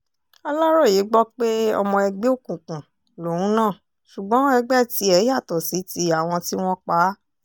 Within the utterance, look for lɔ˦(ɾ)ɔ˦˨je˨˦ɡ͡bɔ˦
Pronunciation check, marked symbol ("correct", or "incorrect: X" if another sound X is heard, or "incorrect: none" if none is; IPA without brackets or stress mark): correct